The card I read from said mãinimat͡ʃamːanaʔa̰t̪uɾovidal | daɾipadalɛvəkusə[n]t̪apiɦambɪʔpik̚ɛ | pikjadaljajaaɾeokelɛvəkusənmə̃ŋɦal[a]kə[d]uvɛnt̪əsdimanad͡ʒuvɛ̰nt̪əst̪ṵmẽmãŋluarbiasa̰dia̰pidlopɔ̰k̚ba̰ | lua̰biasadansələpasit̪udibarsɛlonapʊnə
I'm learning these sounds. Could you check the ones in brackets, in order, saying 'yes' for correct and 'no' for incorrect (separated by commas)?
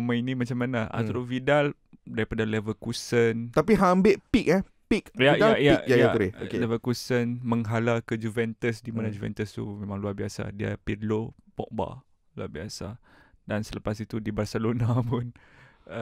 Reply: yes, yes, no